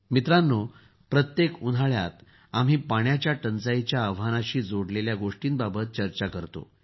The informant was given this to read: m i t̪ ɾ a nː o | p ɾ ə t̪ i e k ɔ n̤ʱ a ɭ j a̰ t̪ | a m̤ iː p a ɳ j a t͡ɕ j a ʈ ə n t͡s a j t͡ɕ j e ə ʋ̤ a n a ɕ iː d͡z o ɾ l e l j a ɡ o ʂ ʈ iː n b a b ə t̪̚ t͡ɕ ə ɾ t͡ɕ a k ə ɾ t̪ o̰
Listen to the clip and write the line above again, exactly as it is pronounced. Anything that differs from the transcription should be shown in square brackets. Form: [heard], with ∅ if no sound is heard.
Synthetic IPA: m i t̪ ɾ a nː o | p ɾ ə t̪ [j] e k [u] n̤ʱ a ɭ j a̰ t̪ | a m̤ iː p a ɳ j a t͡ɕ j a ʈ ə n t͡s a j t͡ɕ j [a] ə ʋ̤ a n a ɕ iː d͡z o [ɽ] l e l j a ɡ o ʂ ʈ iː n b a b ə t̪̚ t͡ɕ ə ɾ t͡ɕ a k ə ɾ t̪ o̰